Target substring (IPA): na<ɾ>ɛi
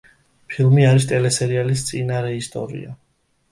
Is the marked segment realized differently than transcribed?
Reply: no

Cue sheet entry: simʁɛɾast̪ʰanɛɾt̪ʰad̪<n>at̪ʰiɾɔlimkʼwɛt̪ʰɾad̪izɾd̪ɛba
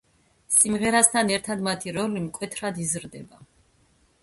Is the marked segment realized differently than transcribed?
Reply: yes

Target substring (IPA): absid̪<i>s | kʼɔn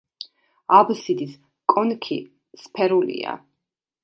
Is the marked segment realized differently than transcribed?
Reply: no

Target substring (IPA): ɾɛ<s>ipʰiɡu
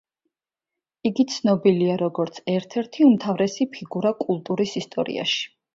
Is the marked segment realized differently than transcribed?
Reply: no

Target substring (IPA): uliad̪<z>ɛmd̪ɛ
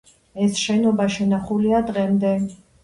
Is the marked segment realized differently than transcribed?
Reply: yes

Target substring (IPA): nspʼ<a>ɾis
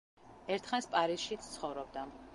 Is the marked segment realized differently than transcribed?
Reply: no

